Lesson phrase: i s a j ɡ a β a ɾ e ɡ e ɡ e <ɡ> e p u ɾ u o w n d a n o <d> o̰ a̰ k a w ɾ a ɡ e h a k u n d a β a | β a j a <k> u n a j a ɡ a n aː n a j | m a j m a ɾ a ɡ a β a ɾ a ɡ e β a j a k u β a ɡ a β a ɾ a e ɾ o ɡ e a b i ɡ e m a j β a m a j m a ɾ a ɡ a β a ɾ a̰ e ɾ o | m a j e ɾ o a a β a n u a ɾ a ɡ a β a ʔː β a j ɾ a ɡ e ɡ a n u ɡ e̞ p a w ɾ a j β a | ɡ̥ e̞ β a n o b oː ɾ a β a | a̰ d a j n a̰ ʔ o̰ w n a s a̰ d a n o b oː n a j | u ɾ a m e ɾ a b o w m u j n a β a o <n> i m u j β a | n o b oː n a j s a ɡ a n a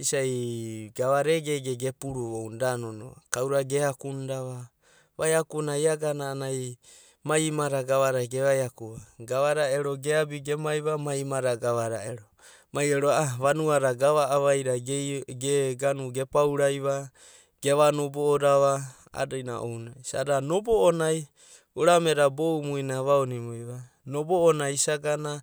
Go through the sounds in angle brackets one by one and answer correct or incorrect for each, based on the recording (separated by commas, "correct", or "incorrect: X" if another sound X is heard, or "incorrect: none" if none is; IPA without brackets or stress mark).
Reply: correct, incorrect: n, correct, correct